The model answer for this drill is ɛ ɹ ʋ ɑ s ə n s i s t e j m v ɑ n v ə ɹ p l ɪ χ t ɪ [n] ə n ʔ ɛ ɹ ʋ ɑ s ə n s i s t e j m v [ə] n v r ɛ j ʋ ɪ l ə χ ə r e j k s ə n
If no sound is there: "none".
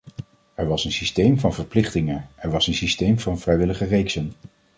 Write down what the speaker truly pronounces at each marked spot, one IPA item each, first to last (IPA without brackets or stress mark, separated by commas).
ŋ, ɑ